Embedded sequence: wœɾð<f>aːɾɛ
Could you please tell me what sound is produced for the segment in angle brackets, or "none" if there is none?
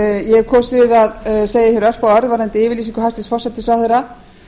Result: v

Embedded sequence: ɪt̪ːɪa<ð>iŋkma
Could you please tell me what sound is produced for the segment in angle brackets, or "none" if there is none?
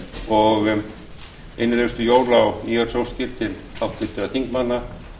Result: θ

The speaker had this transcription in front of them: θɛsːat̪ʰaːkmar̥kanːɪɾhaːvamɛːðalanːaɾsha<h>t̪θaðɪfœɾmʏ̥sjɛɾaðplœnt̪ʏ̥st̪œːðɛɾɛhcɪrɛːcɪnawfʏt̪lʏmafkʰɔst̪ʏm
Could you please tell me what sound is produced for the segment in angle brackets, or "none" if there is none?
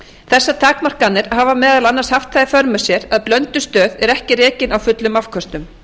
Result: f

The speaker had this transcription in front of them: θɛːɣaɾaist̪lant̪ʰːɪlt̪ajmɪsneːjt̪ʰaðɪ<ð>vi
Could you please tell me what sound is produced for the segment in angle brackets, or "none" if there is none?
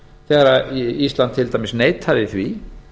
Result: θ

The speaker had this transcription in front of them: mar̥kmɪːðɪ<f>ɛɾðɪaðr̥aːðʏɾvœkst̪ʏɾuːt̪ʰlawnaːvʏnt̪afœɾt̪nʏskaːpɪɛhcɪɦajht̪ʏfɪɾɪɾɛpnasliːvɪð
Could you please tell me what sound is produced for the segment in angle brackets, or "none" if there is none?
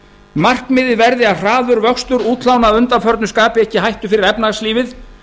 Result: v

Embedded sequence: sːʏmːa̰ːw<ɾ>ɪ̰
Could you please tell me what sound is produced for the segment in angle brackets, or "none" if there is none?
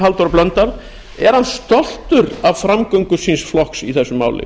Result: l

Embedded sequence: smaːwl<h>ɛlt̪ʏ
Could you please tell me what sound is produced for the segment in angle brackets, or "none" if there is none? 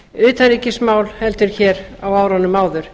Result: h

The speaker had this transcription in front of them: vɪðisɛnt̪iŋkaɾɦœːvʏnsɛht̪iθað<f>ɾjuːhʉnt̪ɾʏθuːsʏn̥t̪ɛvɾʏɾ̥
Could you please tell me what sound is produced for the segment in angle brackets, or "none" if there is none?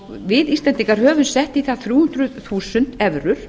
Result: θ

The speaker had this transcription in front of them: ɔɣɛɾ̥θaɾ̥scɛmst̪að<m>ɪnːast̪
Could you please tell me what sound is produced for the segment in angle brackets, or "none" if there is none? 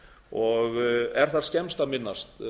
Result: m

